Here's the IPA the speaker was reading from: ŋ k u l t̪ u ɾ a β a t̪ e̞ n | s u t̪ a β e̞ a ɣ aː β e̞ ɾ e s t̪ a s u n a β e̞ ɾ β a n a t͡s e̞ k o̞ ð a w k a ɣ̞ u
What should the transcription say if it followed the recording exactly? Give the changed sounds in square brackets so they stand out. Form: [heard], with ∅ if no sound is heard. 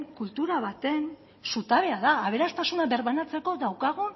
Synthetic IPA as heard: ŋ k u l t̪ u ɾ a β a t̪ e̞ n | s u t̪ a β e̞ a [ð] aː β e̞ ɾ [a] s t̪ a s u n a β e̞ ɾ β a n a t͡s e̞ k o̞ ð a w k a ɣ̞ u

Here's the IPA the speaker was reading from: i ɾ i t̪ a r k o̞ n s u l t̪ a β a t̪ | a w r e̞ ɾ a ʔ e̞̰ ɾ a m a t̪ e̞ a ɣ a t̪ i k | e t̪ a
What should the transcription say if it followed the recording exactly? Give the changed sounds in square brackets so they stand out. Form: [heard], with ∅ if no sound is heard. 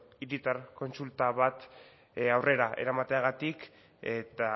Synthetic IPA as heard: i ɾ i t̪ a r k o̞ n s u l t̪ a β a t̪ | a w r e̞ ɾ a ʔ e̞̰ ɾ a m a t̪ e̞ a ɣ a t̪ i k | e t̪ a

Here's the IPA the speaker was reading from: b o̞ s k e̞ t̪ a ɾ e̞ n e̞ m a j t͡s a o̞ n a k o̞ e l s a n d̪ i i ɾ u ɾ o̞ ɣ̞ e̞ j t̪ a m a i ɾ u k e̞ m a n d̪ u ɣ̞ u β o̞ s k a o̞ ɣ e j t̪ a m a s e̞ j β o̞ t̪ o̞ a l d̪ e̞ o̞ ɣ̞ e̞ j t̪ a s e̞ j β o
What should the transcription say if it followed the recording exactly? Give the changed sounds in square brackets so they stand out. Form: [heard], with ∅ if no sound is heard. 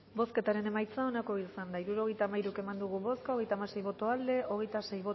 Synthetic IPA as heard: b o̞ s k e̞ t̪ a ɾ e̞ n e̞ m a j t͡s a o̞ n a k o̞ [i] l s a n d̪ [a] i ɾ u ɾ o̞ ɣ̞ e̞ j t̪ a m a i ɾ u k e̞ m a n d̪ u ɣ̞ u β o̞ s k a o̞ ɣ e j t̪ a m a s e̞ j β o̞ t̪ o̞ a l d̪ e̞ o̞ ɣ̞ e̞ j t̪ a s e̞ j β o

